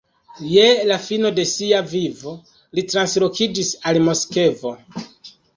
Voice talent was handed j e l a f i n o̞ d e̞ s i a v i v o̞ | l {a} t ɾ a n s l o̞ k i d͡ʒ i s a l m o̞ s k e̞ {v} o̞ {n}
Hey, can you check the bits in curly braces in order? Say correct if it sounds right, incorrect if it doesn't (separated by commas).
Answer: incorrect, correct, incorrect